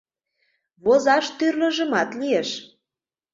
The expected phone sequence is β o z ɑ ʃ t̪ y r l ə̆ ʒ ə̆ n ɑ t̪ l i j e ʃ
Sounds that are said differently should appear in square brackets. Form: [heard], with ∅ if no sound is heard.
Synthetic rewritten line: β o z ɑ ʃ t̪ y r l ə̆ ʒ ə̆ [m] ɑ t̪ l i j e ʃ